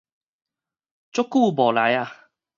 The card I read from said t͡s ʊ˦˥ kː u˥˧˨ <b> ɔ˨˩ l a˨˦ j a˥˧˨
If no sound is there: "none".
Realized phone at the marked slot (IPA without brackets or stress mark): b